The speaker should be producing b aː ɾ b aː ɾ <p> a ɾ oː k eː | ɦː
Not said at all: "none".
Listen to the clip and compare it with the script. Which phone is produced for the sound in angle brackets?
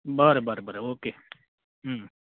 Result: b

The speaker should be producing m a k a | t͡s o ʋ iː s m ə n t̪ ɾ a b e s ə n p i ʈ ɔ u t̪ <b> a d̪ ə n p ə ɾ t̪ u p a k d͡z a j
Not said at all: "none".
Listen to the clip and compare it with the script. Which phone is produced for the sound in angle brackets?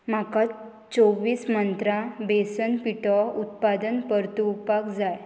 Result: p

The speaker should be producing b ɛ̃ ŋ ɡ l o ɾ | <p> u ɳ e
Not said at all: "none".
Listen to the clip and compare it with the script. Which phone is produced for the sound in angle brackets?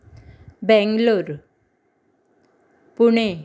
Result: p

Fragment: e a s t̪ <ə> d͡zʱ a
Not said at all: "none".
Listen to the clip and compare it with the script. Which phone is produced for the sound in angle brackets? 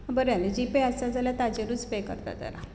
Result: a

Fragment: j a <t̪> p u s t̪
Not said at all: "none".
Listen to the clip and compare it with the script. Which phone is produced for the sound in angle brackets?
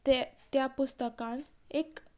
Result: none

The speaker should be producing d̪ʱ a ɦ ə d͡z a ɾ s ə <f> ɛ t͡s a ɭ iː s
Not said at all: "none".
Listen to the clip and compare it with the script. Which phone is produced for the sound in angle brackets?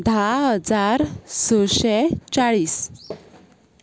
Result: ɕ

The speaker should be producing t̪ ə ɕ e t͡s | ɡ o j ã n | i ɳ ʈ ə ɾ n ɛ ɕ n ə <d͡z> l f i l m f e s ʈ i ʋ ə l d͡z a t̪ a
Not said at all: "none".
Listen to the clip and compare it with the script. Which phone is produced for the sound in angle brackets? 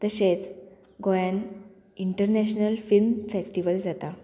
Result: none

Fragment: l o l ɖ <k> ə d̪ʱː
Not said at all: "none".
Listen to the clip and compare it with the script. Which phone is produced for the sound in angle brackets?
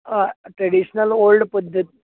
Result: p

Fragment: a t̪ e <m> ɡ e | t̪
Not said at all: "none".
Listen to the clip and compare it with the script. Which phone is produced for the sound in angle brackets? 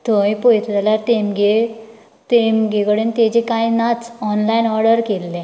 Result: m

